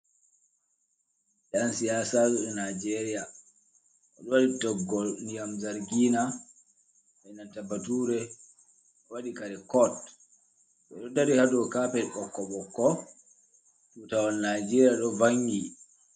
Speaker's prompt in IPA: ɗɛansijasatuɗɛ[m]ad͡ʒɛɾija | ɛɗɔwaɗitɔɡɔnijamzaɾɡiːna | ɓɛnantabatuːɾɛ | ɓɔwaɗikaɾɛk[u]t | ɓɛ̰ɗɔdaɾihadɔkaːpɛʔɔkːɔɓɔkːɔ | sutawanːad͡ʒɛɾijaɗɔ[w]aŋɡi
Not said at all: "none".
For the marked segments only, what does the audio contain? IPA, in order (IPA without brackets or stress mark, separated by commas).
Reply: n, ɔ, v